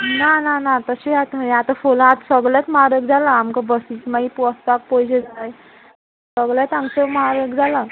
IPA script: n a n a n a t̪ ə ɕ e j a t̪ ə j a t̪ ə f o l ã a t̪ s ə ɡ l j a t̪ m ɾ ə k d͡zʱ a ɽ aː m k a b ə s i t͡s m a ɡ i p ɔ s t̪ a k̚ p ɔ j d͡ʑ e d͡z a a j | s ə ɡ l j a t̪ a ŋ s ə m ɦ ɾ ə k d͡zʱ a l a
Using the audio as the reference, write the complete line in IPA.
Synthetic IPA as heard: n a n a n a t̪ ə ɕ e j a t̪ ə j a t̪ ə f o l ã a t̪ s ə ɡ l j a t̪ m ɾ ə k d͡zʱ a l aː m k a b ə s i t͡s m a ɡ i p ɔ s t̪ a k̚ p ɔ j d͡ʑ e d͡z a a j | s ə ɡ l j a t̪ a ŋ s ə m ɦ ɾ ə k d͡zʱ a l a